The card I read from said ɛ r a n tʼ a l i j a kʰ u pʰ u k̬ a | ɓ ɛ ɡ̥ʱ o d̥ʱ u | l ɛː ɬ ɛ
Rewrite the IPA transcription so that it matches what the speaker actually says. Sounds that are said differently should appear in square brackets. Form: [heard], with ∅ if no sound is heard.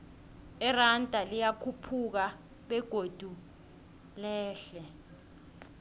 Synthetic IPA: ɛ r a n tʼ a l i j a kʰ u pʰ u k̬ a | ɓ ɛ ɡ̥ʱ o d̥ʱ u | l ɛː ɬ ɛ